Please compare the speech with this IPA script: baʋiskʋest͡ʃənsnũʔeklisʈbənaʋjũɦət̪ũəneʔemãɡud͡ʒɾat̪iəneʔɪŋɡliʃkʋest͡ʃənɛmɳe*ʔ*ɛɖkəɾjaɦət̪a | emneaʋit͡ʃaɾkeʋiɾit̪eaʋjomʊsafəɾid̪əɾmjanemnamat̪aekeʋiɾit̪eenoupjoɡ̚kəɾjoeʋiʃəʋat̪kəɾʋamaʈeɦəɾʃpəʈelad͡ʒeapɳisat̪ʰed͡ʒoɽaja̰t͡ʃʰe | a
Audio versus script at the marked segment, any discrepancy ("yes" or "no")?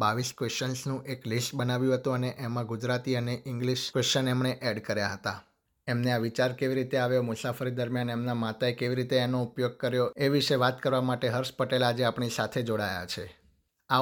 no